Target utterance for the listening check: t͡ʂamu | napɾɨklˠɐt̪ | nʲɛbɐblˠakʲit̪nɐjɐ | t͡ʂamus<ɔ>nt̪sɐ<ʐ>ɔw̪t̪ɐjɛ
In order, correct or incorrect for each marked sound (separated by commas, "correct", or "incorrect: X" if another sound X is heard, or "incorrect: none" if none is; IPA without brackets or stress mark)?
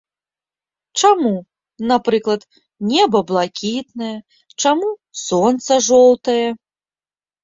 correct, correct